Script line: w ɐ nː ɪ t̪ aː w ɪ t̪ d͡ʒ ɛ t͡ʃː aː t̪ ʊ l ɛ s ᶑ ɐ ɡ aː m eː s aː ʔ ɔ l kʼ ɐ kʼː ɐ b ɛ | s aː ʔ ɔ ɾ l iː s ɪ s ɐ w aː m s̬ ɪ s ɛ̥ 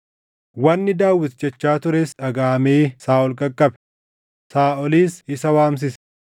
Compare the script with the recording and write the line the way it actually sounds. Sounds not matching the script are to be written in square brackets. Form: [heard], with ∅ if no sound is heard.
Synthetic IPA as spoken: w ɐ nː ɪ [d̪] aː w ɪ t̪ d͡ʒ ɛ t͡ʃː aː t̪ ʊ [ɾ] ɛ s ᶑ ɐ ɡ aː m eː s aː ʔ ɔ l kʼ ɐ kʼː ɐ b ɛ | s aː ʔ ɔ [∅] l iː s ɪ s ɐ w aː m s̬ ɪ s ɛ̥

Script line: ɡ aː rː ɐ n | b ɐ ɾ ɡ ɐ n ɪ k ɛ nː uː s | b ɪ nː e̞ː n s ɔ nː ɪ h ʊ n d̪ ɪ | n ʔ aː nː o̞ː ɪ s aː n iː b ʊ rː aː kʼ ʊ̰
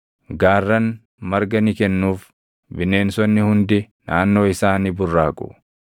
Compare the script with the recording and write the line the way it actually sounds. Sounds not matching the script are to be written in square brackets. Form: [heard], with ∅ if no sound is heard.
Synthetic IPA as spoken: ɡ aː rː ɐ n | [m] ɐ ɾ ɡ ɐ n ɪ k ɛ nː uː [f] | b ɪ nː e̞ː n s ɔ nː ɪ h ʊ n d̪ ɪ | n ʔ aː nː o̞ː ɪ s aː n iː b ʊ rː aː kʼ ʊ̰

